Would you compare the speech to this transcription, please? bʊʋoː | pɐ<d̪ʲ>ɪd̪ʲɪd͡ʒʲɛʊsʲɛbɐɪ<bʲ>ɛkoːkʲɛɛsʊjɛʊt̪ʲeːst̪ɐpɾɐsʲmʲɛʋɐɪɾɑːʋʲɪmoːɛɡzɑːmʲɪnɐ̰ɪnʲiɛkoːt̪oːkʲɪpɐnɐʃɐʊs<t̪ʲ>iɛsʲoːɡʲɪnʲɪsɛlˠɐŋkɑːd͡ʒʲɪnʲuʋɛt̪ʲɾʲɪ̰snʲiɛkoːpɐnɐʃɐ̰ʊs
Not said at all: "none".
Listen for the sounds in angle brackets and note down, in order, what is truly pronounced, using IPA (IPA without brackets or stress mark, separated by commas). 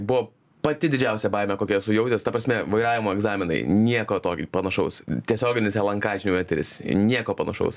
t̪ʲ, mʲ, t̪ʲ